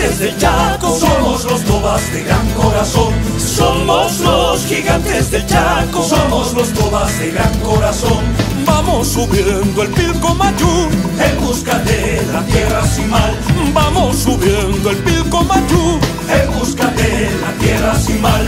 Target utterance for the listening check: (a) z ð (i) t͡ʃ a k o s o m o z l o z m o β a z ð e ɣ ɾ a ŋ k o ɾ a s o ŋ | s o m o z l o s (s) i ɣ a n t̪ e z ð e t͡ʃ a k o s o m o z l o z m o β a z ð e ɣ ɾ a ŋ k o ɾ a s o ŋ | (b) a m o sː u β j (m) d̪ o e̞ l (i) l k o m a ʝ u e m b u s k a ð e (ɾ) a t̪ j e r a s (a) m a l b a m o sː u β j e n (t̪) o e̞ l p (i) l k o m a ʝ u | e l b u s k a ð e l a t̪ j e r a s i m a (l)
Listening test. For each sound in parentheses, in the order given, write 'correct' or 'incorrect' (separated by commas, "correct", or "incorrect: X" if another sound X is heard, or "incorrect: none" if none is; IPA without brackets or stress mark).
incorrect: e, incorrect: e, incorrect: x, correct, incorrect: n, correct, incorrect: l, incorrect: i, incorrect: d̪, correct, correct